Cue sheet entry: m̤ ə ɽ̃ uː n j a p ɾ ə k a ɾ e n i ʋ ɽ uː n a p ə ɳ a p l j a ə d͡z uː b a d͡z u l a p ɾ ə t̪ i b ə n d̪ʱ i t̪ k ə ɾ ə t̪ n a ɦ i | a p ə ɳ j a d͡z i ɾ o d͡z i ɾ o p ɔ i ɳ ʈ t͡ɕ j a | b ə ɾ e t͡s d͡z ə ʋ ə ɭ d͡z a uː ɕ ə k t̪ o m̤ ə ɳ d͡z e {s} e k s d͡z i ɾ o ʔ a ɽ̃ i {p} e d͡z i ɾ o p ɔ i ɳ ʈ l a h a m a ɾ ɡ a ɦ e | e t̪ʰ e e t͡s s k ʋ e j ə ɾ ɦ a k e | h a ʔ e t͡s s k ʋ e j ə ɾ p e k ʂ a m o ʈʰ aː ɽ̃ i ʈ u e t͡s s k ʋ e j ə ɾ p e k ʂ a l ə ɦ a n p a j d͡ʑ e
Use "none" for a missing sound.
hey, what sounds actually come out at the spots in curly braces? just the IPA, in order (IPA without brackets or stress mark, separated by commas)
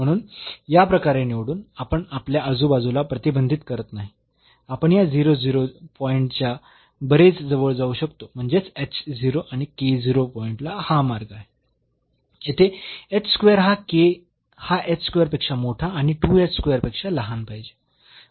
t͡s, k